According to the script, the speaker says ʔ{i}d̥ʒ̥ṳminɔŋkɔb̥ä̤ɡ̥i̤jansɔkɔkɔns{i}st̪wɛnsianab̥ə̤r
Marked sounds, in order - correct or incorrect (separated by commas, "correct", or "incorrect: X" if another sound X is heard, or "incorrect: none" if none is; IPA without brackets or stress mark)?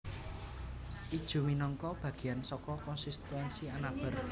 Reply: correct, correct